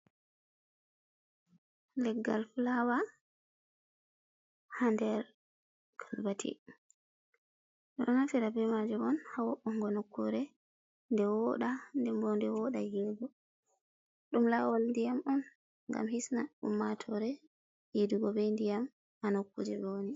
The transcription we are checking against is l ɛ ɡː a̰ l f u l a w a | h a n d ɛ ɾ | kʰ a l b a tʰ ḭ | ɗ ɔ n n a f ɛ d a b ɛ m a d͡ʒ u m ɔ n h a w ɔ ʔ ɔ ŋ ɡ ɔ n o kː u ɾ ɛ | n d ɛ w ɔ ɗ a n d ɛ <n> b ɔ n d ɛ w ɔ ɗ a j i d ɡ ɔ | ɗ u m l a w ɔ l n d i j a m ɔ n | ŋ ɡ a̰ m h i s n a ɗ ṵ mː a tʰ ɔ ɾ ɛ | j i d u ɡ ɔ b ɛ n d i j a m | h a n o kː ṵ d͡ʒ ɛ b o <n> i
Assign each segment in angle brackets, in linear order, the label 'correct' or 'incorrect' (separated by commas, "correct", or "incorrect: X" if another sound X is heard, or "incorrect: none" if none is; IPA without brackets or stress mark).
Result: incorrect: m, correct